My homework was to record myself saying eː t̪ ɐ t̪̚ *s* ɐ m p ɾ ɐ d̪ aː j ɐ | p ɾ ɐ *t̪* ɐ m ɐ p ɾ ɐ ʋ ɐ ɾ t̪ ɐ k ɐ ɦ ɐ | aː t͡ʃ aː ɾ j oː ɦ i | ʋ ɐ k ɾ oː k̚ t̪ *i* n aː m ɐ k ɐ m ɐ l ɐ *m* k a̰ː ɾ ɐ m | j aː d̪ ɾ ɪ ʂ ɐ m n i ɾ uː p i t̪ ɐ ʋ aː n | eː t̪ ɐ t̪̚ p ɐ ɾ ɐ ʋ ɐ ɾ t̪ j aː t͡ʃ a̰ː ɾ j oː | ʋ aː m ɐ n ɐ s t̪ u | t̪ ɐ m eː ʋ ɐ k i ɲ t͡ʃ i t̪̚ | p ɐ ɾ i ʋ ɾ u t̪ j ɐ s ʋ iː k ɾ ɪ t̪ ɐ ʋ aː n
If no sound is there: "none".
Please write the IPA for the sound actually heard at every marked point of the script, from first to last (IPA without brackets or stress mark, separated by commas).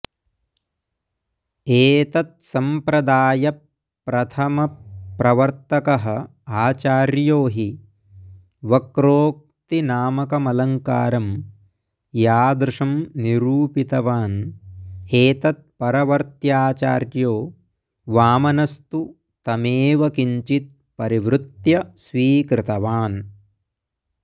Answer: s, t̪ʰ, i, ŋ